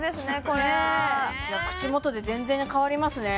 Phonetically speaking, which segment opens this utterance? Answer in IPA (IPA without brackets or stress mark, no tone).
d̪